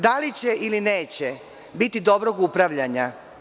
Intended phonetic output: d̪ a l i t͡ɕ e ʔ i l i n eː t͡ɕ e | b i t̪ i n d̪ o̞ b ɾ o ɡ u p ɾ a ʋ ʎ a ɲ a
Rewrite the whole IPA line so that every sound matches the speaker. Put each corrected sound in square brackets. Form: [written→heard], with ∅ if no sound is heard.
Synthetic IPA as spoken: d̪ a l i t͡ɕ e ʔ i l i n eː t͡ɕ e | b i t̪ i [n→∅] d̪ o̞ b ɾ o ɡ u p ɾ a ʋ ʎ a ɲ a